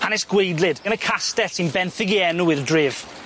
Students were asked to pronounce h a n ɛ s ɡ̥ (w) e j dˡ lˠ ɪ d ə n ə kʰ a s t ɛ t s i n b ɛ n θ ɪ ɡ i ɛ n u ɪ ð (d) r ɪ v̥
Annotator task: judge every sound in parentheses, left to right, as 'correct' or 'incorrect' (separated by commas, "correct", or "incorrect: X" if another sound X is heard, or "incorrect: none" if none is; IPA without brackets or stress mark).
correct, correct